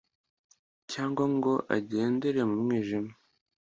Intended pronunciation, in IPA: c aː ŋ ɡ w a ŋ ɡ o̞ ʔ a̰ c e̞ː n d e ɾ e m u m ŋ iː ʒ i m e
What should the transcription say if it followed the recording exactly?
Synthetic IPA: c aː ŋ ɡ w a ŋ ɡ o̞ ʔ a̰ ɟ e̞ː n d e ɾ e m u m ŋ iː ʒ i m a